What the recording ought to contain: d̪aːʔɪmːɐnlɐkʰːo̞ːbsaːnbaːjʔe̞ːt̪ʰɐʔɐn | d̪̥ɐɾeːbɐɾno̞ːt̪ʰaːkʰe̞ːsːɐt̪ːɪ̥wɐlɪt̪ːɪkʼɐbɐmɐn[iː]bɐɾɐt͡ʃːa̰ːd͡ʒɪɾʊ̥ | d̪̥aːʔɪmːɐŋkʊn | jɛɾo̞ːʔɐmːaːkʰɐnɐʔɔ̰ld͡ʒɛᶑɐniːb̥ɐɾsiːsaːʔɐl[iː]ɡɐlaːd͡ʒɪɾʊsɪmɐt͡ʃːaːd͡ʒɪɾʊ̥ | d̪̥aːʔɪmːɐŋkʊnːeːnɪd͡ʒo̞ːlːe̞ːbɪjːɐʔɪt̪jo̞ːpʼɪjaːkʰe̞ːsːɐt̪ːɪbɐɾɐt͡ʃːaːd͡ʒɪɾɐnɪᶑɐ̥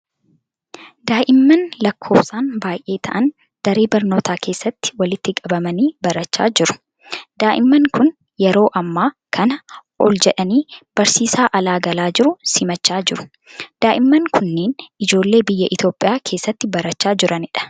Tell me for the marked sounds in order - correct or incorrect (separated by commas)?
correct, incorrect